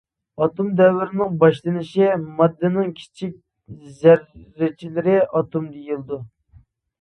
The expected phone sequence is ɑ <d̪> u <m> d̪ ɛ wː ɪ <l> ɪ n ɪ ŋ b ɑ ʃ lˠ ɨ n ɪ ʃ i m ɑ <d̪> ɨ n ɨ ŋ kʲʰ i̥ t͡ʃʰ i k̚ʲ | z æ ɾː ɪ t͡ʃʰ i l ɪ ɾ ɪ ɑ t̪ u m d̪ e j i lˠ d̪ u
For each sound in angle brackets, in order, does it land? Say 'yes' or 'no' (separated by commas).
no, yes, no, no